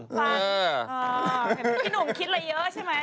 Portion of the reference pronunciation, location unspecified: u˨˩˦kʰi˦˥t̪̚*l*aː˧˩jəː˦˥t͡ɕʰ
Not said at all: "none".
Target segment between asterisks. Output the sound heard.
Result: l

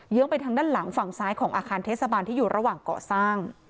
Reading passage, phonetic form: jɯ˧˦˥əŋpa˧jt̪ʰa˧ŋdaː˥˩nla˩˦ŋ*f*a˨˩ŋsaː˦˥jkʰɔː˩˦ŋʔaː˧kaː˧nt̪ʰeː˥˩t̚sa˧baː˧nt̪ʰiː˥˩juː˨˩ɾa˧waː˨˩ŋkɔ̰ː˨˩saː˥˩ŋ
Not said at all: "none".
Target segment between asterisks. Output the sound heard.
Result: f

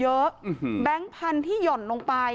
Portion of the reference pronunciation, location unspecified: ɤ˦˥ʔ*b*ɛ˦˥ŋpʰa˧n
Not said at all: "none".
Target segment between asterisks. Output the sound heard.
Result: b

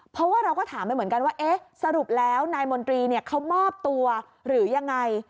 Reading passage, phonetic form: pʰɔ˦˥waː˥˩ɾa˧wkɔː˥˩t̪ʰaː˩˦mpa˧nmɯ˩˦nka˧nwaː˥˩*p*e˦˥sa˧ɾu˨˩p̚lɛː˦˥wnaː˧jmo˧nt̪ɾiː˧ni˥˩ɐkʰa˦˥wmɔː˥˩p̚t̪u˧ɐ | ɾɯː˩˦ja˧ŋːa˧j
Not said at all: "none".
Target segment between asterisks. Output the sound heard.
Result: ʔ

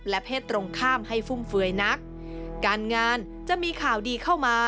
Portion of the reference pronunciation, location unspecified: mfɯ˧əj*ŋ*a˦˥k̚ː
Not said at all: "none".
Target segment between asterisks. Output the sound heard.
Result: n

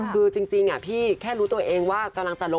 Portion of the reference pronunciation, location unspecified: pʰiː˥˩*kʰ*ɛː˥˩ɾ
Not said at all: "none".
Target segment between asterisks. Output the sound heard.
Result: kʰ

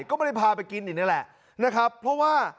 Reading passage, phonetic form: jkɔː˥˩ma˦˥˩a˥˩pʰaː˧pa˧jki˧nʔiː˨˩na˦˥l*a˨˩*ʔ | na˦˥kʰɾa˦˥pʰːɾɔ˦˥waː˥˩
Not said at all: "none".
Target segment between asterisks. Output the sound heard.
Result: ɛ˨˩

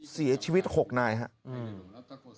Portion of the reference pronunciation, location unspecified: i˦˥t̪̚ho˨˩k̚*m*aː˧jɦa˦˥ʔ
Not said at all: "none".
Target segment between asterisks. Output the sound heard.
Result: n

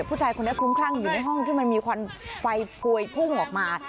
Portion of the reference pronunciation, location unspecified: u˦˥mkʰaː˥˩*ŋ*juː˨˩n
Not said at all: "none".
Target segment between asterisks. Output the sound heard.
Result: ŋ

